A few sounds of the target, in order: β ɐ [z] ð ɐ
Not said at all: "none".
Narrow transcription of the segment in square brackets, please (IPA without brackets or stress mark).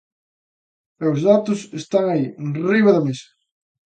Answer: none